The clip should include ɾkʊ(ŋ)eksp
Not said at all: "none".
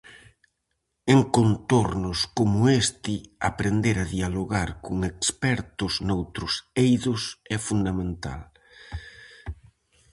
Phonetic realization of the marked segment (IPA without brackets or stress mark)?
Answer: ŋ